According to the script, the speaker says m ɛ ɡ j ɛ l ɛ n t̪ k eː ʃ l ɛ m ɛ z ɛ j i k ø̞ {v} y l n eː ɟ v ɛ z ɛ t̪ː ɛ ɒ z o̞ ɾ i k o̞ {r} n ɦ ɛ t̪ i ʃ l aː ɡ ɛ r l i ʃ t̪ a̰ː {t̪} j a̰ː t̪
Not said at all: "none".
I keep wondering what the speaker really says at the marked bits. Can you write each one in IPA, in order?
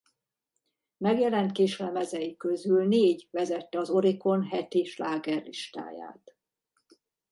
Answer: z, none, none

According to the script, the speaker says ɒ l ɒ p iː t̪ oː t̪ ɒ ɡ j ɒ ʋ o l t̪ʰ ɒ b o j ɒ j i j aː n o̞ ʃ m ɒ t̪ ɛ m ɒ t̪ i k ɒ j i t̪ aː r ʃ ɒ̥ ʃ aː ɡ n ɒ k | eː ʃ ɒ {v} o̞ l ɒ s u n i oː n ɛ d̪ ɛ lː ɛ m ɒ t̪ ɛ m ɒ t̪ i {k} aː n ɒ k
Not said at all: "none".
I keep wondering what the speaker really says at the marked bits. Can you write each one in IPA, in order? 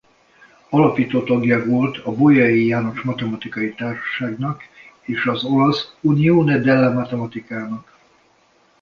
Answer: z, k

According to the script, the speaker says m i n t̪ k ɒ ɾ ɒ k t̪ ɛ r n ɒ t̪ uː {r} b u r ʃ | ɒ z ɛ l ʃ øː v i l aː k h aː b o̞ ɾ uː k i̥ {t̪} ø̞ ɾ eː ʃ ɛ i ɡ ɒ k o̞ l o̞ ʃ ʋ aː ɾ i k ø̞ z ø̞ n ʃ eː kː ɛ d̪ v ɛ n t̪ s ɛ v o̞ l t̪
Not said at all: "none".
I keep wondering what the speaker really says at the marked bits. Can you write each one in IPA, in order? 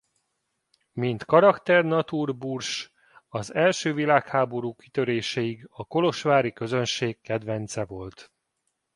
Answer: r, t̪

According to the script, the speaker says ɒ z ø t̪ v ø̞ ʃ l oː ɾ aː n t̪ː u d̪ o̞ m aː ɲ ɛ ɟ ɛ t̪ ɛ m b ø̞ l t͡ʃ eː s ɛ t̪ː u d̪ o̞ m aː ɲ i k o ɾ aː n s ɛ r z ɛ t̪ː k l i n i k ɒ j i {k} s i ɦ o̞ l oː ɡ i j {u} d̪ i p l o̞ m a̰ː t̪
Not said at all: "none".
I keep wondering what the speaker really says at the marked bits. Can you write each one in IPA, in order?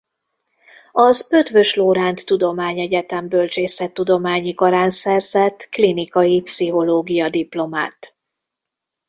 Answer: p, ɒ

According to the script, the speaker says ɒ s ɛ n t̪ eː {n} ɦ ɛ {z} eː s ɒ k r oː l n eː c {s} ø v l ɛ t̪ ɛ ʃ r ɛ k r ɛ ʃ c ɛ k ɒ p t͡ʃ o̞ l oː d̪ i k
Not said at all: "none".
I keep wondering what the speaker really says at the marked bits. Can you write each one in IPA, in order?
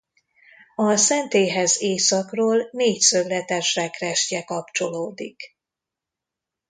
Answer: none, z, s

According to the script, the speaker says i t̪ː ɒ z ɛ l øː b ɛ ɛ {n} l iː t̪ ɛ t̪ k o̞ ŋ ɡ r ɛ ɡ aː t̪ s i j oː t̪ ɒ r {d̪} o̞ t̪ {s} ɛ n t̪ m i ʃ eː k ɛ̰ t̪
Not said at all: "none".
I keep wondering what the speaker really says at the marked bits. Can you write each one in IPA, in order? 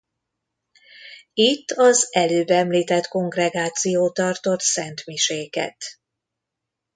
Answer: m, t̪, s

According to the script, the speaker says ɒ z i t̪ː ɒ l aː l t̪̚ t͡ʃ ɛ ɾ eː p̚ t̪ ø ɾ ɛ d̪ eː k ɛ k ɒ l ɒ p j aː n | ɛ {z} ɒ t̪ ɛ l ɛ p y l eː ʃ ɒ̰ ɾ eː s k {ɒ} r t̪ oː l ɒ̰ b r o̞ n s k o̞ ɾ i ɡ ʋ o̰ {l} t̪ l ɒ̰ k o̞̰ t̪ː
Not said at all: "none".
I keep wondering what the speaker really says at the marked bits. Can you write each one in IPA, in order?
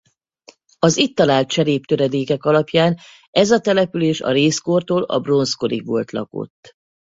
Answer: z, o, l

